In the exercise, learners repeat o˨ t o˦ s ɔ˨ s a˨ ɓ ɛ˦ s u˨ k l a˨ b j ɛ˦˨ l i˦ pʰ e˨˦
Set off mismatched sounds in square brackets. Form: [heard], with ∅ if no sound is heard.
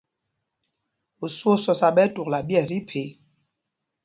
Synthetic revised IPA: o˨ [s] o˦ s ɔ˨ s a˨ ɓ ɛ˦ [t] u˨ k l a˨ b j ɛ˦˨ [ɾ] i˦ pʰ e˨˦